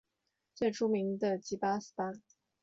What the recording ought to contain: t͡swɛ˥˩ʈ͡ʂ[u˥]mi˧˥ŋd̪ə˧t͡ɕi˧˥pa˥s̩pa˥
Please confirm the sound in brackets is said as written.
yes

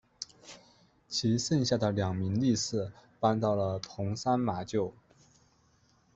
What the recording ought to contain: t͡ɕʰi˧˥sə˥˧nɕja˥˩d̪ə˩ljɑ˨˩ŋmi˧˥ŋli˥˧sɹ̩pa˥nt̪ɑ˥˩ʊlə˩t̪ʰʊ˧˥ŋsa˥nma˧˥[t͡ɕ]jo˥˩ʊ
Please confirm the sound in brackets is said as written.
yes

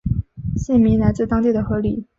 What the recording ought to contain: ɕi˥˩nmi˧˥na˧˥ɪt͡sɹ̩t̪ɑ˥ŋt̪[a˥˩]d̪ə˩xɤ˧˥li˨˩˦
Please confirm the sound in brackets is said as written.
no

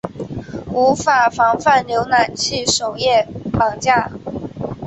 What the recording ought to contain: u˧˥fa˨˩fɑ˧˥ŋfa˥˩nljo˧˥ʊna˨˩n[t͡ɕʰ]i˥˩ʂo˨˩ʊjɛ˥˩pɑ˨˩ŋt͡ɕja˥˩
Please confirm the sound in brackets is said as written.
yes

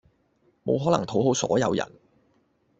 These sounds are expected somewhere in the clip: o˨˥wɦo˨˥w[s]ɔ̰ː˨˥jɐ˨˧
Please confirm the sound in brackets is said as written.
yes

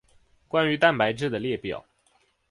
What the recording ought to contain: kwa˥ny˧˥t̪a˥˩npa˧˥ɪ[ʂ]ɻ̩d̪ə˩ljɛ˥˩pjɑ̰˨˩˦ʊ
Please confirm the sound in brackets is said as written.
no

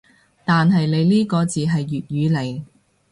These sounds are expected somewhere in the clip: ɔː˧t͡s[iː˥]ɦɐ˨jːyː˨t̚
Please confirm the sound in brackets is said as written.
no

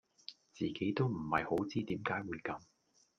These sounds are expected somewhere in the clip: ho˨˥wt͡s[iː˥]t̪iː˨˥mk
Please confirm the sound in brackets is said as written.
yes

